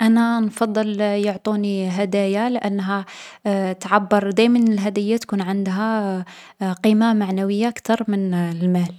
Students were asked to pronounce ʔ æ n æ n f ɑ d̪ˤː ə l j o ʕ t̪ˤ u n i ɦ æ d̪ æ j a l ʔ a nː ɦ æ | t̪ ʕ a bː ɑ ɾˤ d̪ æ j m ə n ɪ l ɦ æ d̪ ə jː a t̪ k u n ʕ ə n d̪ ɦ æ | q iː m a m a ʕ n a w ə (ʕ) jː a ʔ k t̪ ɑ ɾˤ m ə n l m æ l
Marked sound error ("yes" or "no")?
yes